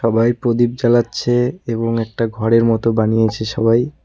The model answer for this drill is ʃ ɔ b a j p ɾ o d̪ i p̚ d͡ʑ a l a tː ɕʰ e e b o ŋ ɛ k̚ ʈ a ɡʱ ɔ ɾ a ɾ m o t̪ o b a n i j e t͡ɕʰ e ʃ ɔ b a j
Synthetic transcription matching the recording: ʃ ɔ b a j p ɾ o d̪ i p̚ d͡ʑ a l a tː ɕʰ e e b o ŋ ɛ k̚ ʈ a ɡʱ ɔ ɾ e ɾ m ɔ t̪ o b a n i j e t͡ɕʰ e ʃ ɔ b a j